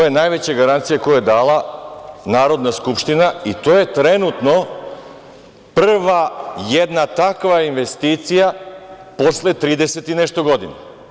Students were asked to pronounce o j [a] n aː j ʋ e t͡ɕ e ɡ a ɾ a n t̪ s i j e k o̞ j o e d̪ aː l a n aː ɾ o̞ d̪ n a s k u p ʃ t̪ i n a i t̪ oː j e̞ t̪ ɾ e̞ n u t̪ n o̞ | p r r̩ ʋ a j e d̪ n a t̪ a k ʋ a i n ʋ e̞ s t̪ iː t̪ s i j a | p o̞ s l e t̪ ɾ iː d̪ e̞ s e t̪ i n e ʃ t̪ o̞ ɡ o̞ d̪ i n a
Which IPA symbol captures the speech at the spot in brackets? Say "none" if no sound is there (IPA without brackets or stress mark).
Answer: e